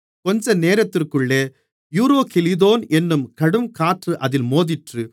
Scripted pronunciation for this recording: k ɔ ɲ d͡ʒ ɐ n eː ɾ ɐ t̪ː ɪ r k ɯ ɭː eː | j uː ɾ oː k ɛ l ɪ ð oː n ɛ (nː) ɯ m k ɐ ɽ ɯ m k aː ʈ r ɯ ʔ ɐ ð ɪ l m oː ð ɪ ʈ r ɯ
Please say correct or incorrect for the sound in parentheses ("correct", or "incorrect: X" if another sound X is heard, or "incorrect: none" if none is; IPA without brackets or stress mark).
correct